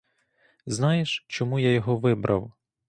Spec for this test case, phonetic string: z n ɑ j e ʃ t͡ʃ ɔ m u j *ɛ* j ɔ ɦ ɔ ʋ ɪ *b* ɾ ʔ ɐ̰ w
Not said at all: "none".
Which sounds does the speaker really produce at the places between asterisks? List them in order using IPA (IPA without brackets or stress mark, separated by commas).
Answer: a, b